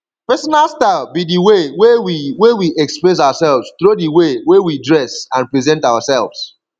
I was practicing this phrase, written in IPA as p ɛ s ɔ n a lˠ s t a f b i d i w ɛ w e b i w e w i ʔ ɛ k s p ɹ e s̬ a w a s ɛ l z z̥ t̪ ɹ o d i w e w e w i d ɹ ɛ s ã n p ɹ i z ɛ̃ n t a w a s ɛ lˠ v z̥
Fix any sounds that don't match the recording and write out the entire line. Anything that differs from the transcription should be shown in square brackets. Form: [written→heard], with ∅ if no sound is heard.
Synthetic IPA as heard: p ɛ s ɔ n a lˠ s t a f b i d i w [ɛ→e] w e [b→w] i w e w i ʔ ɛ k s p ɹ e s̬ a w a s ɛ l [z→v] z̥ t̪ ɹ o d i w e w e w i d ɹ ɛ s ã n p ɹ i z ɛ̃ n t a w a s ɛ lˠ v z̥